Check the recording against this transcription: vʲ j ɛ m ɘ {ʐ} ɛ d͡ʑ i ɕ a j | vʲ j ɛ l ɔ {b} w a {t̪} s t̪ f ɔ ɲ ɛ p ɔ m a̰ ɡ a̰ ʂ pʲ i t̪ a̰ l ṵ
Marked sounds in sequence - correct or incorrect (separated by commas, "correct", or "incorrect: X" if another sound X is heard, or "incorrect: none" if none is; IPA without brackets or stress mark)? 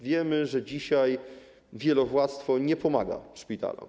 correct, incorrect: v, correct